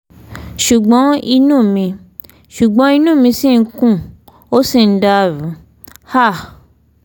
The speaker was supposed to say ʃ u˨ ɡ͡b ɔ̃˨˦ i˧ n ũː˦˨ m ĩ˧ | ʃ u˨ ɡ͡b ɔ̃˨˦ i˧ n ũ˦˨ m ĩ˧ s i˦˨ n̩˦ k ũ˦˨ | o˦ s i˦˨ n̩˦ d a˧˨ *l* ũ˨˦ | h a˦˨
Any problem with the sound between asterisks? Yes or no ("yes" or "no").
yes